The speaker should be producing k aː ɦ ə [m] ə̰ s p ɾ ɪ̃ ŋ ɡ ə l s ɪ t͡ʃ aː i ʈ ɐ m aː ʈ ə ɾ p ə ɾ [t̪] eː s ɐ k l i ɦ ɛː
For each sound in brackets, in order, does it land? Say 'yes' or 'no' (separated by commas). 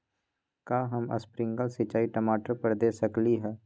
yes, no